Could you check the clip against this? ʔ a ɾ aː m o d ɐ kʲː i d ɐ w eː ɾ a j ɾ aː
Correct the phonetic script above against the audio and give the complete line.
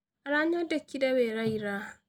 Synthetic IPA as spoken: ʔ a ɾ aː ɲ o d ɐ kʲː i d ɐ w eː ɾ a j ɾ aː